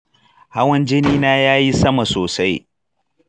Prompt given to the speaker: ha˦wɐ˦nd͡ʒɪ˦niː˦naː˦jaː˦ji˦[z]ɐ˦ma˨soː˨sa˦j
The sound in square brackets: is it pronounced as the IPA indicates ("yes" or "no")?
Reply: no